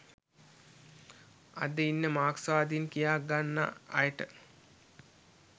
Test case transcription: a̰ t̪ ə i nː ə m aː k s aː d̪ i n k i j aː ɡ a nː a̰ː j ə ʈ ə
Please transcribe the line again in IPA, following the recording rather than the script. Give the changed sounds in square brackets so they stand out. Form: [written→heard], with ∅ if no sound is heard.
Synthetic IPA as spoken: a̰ [t̪→d̪] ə i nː ə m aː k s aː d̪ i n k i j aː ɡ a nː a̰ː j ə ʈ ə